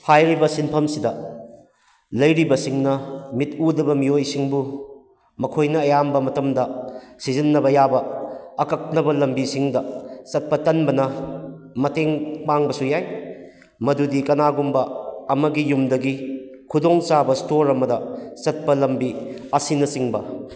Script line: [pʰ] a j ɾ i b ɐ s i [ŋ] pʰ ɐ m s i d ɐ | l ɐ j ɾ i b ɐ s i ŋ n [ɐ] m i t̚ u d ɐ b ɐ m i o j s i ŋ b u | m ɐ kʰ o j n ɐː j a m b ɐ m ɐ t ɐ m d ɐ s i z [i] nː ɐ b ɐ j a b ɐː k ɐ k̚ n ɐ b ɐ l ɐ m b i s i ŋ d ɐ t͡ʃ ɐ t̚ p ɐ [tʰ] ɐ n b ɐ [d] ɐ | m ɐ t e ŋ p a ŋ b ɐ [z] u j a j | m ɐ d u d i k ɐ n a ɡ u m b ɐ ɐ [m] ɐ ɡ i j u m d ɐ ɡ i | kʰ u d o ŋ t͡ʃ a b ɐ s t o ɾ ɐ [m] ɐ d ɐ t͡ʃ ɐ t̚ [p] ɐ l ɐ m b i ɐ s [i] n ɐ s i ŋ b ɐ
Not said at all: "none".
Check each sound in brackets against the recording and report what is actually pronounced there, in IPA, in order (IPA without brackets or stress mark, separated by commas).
pʰ, n, ɐ, i, t, n, s, m, m, p, i